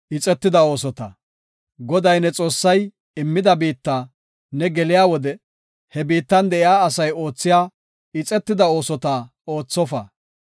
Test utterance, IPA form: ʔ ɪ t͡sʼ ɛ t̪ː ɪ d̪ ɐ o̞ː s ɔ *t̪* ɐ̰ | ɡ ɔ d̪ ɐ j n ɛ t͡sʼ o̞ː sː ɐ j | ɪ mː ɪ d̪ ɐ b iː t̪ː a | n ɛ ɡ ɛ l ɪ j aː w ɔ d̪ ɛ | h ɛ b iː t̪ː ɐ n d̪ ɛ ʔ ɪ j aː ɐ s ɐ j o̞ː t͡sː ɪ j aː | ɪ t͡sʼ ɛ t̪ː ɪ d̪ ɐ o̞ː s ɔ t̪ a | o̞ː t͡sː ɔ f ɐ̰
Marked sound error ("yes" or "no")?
no